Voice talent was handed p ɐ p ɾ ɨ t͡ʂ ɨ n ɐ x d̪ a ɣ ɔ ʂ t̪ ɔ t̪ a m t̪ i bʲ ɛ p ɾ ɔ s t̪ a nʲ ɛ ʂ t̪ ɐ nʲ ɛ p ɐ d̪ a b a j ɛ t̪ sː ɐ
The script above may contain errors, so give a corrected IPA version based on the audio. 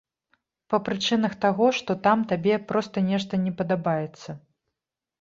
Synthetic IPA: p ɐ p ɾ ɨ t͡ʂ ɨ n ɐ x t̪ a ɣ ɔ ʂ t̪ ɔ t̪ a m t̪ a bʲ ɛ p ɾ ɔ s t̪ ɐ nʲ ɛ ʂ t̪ ɐ nʲ ɛ p ɐ d̪ a b a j ɛ t̪ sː ɐ